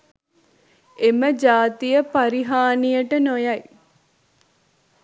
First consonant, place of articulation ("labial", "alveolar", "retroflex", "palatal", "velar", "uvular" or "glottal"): labial